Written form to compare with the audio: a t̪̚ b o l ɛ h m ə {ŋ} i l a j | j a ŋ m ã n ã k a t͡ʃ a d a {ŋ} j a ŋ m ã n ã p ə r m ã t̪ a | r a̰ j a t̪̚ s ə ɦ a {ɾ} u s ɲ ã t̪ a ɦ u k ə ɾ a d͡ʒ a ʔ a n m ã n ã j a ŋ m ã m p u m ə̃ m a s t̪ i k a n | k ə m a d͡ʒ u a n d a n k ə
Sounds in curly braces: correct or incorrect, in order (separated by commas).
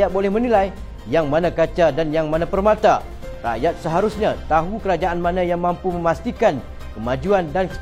incorrect, incorrect, correct